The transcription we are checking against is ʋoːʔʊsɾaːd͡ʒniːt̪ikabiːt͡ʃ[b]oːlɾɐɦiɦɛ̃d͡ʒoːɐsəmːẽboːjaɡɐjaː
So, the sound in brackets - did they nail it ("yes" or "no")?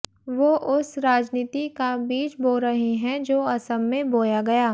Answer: yes